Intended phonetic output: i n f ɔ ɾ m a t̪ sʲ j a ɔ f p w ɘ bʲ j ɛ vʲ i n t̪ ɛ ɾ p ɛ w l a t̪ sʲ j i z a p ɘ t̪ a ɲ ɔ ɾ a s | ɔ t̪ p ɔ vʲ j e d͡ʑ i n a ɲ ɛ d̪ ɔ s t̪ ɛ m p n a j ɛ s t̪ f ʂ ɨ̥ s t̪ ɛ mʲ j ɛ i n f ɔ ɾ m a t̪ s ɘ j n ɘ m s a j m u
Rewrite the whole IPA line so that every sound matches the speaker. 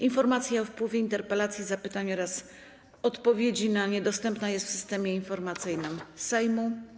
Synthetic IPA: i n f ɔ ɾ m a t̪ sʲ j a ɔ f p w ɘ vʲ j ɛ i n t̪ ɛ ɾ p ɛ l a t̪ sʲ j i z a p ɘ t̪ a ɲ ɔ ɾ a s | ɔ t̪ p ɔ vʲ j e d͡ʑ i n a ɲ ɛ d̪ ɔ s t̪ ɛ m p n a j ɛ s t̪ f s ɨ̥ s t̪ ɛ mʲ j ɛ i n f ɔ ɾ m a t̪ s ɘ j n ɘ m s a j m u